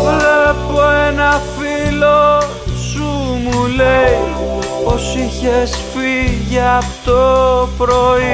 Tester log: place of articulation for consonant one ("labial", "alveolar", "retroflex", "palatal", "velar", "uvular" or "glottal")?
labial